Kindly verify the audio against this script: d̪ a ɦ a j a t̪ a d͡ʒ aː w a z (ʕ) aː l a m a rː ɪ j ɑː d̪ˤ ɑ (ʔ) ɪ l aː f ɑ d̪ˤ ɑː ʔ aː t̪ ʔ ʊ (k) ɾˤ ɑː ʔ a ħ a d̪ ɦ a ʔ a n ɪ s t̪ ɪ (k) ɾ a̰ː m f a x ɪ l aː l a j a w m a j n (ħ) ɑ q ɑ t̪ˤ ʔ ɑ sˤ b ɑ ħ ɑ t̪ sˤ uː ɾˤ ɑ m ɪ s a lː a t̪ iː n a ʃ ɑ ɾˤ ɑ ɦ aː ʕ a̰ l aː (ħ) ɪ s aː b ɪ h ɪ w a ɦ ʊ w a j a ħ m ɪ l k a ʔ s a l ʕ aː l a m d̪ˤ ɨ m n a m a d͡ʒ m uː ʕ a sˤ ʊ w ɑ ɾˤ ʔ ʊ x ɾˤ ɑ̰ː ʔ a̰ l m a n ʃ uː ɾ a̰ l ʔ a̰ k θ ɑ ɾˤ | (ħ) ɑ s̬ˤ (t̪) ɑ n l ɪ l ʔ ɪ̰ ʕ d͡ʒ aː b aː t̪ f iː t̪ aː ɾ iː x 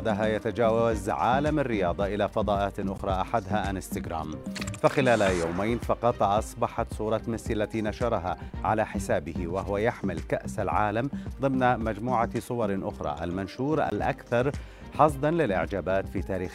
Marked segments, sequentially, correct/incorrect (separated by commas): correct, correct, incorrect, incorrect, incorrect, correct, correct, incorrect